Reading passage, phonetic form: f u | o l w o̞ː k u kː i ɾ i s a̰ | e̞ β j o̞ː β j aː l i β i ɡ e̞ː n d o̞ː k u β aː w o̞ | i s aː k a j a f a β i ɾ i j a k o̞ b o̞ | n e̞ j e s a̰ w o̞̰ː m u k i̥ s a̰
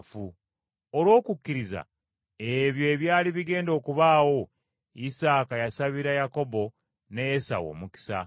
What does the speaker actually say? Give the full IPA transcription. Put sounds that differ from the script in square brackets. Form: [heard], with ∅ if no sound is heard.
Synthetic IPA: f u | o l w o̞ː k u kː i ɾ i [z] a̰ | e̞ β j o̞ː β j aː l i β i ɡ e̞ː n d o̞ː k u β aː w o̞ | i s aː k a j a [s] a β i ɾ [a] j a k o̞ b o̞ | n e̞ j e s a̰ w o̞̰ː m u k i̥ s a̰